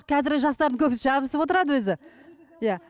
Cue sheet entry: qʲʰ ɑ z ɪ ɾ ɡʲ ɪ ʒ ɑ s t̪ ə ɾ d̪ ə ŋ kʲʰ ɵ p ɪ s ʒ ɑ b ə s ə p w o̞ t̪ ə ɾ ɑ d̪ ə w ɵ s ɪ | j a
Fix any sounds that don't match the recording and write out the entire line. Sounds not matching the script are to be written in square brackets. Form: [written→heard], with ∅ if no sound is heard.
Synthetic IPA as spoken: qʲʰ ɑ z ɪ ɾ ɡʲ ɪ ʒ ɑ s t̪ [ə→ɑ] ɾ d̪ ə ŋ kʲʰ ɵ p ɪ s ʒ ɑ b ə s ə p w o̞ t̪ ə ɾ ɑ d̪ ə w ɵ [s→z] ɪ | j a